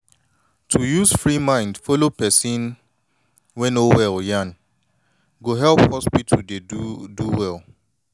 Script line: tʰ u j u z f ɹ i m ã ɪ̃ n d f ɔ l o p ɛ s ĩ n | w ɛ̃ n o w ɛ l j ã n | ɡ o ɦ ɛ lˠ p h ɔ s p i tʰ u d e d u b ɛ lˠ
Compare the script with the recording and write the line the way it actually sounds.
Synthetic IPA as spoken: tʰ u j u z f ɹ i m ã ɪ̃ n d f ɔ l o p ɛ s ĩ n | w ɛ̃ n o w ɛ l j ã n | ɡ o ɦ ɛ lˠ p h ɔ s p i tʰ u d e d u w ɛ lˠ